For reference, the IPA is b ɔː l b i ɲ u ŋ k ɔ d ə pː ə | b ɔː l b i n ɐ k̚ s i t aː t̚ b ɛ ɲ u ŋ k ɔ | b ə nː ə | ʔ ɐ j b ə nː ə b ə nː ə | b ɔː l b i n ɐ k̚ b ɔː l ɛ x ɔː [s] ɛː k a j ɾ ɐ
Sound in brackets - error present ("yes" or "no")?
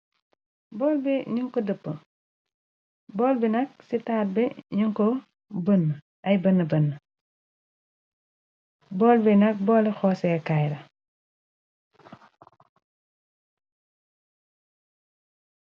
no